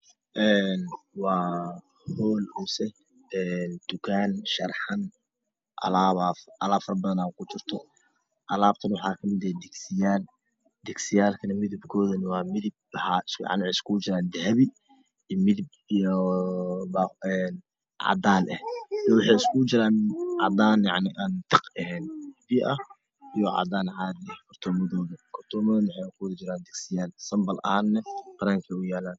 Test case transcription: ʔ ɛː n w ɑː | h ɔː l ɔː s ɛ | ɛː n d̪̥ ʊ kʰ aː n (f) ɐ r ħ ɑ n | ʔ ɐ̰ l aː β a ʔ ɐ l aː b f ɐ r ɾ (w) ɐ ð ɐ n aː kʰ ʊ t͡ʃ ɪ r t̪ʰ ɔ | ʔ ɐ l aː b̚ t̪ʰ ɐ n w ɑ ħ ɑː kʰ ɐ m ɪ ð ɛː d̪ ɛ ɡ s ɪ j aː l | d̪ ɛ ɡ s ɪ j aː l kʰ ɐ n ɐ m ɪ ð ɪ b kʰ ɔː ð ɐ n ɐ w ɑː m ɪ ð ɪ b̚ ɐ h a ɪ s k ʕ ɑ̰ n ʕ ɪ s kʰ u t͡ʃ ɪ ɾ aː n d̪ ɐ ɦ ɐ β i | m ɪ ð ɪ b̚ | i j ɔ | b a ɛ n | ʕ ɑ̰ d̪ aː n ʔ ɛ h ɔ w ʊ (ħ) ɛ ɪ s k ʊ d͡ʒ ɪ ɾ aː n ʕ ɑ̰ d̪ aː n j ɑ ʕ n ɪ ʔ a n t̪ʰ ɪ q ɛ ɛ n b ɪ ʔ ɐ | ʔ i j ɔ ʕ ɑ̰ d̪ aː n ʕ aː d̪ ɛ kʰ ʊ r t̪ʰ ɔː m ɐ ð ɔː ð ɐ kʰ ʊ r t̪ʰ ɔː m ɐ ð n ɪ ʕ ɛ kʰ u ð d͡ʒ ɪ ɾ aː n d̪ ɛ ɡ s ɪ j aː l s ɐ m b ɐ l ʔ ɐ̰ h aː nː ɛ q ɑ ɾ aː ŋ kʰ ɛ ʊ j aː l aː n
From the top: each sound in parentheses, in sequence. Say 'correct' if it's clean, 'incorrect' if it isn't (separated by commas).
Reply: incorrect, incorrect, correct